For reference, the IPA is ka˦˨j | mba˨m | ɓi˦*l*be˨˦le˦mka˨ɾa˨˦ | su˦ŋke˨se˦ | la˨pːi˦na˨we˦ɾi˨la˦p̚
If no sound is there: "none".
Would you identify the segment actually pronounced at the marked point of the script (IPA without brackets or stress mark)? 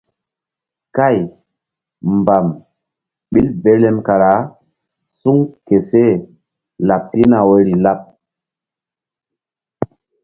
l